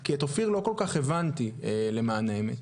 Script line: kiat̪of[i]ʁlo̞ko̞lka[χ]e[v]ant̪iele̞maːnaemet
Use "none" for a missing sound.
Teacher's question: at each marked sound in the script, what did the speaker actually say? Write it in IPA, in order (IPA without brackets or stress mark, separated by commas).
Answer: i, χ, v